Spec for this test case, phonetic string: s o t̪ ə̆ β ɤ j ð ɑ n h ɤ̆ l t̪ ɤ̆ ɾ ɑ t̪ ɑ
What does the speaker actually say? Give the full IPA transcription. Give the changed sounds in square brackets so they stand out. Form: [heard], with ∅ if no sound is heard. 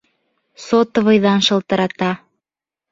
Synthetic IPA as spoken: s o t̪ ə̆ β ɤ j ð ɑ n [ʃ] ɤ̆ l t̪ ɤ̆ ɾ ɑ t̪ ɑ